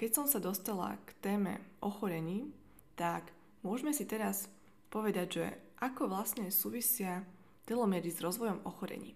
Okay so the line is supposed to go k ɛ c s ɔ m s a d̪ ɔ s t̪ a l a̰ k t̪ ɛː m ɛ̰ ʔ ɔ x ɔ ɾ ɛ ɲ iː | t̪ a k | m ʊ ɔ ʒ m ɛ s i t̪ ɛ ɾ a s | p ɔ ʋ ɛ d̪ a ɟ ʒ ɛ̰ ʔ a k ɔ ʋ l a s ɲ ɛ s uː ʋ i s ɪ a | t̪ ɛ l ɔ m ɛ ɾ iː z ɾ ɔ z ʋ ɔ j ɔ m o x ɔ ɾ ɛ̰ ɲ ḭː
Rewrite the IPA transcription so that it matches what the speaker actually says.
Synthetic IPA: k ɛ c s ɔ m s a d̪ ɔ s t̪ a l a̰ k t̪ ɛː m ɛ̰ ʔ ɔ x ɔ ɾ ɛ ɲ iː | t̪ a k | m ʊ ɔ ʒ m ɛ s i t̪ ɛ ɾ a s | p ɔ ʋ ɛ d̪ a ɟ ʒ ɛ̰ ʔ a k ɔ ʋ l a s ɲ ɛ s uː ʋ i s ɪ a | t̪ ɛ l ɔ m ɛ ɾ i z ɾ ɔ z ʋ ɔ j ɔ m ɔ x ɔ ɾ ɛ̰ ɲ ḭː